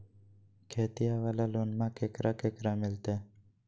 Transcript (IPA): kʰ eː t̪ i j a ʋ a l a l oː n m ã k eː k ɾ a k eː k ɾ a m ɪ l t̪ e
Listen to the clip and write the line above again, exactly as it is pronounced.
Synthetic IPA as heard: kʰ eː t̪ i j a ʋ a l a l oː n m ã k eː k ɾ a k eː k ɾ a m ɪ l t̪ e